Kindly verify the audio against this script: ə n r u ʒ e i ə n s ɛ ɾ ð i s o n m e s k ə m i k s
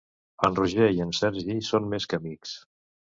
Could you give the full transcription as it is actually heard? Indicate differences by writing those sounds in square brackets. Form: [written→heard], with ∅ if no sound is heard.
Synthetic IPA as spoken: ə n r u ʒ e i ə n s ɛ ɾ [ð→ʒ] i s o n m e s k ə m i k s

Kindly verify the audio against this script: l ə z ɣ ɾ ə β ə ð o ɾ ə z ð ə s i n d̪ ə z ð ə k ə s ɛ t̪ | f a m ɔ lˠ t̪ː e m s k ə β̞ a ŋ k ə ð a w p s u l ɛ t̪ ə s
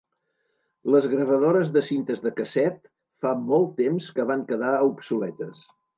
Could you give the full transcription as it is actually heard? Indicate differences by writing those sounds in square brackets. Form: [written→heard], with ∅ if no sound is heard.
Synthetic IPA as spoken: l ə z ɣ ɾ ə β ə ð o ɾ ə z ð ə s i n [d̪→t̪] ə z ð ə k ə s ɛ t̪ | f a m ɔ lˠ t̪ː e m s k ə β̞ a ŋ k ə ð a [w→u] p s u l ɛ t̪ ə s

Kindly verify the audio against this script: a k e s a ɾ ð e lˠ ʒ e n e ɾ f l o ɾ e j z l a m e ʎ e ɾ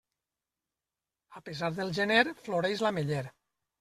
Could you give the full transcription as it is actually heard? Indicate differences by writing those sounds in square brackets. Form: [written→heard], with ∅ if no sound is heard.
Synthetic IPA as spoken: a [k→p] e [s→z] a ɾ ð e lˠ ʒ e n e ɾ f l o ɾ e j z l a m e ʎ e ɾ

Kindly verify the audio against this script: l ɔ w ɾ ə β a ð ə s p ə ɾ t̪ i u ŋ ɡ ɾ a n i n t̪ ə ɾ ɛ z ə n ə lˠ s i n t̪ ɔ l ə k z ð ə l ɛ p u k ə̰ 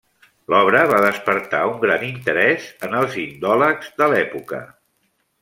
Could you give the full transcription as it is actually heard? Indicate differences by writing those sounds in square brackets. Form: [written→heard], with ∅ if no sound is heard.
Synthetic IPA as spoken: l ɔ [w→β] ɾ ə β a ð ə s p ə ɾ t̪ [i→a] u ŋ ɡ ɾ a n i n t̪ ə ɾ ɛ z ə n ə lˠ [s→z] i n [t̪→d̪] ɔ l ə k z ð ə l ɛ p u k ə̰

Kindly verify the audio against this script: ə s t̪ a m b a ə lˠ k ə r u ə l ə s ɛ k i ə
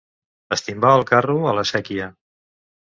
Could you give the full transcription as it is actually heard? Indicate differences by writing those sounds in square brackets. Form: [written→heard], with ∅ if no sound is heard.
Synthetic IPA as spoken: ə s t̪ [a→i] m b a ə lˠ k [ə→a] r u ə l ə s ɛ k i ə

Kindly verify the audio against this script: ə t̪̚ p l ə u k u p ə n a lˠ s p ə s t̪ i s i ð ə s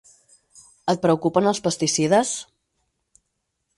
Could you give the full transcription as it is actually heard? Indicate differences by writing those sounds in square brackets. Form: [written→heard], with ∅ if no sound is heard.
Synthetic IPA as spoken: ə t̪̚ p [l→ɾ] ə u k u p ə n [a→ə] lˠ s p ə s t̪ i s i ð ə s

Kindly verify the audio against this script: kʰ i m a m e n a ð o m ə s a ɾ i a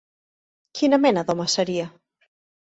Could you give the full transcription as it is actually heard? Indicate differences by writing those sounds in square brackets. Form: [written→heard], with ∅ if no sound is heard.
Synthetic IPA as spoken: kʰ i [m→n] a m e n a ð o m [ə→a] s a ɾ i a

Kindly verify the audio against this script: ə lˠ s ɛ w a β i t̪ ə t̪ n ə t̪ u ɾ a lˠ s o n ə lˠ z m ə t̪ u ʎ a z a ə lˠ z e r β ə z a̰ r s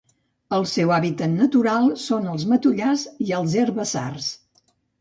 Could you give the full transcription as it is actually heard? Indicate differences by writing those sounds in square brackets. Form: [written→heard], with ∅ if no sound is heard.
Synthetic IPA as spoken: ə lˠ s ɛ w a β i t̪ ə t̪ n ə t̪ u ɾ a lˠ s o n ə lˠ z m ə t̪ u ʎ a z [a→i] ə lˠ z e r β ə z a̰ r s

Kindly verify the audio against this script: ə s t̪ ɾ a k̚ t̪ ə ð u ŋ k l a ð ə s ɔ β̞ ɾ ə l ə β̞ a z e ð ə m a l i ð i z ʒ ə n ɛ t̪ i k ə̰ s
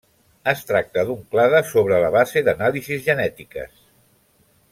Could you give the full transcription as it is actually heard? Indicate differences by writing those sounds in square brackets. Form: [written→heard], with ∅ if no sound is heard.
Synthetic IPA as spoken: ə s t̪ ɾ a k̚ t̪ ə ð u ŋ k l a ð ə s [ɔ→o] β̞ ɾ ə l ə β̞ a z e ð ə [m→n] a l i [ð→z] i z ʒ ə n ɛ t̪ i k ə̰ s

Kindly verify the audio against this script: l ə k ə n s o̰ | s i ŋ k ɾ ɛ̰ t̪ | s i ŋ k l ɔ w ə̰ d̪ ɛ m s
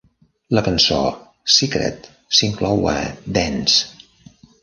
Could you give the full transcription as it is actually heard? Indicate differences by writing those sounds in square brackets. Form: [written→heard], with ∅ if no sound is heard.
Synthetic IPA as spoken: l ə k ə n s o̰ | s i [ŋ→∅] k ɾ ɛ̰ t̪ | s i ŋ k l ɔ w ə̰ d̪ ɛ [m→n] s

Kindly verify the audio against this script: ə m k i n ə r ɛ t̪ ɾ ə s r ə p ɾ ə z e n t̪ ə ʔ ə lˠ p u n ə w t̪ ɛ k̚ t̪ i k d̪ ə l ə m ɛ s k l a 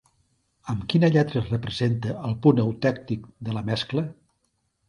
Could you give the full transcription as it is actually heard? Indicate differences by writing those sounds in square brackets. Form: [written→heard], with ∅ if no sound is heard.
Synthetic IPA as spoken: ə m k i n ə [r→ʎ] ɛ t̪ ɾ ə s r ə p ɾ ə z e n t̪ ə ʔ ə lˠ p u n ə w t̪ ɛ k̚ t̪ i k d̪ ə l ə m ɛ s k l [a→ə]

